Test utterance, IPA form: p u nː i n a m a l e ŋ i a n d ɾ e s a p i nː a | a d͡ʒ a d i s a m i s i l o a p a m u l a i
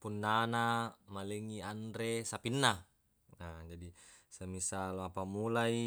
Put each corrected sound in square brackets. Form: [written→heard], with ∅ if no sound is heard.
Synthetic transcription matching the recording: p u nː [i→a] n a m a l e ŋ i a n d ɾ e s a p i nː a | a d͡ʒ a d i s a m i s [i→a] l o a p a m u l a i